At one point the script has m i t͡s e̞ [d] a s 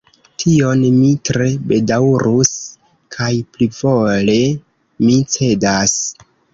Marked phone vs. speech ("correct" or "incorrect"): correct